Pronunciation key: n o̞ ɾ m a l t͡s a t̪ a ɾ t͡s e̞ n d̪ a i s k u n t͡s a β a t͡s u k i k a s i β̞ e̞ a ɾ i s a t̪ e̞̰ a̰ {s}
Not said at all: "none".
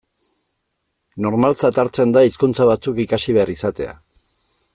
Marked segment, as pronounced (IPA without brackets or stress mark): none